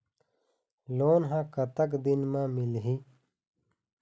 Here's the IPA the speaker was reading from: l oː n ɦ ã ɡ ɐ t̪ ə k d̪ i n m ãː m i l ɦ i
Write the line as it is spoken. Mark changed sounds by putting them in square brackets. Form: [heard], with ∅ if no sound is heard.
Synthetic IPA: l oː n ɦ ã [k] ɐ t̪ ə k d̪ i n m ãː m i l ɦ i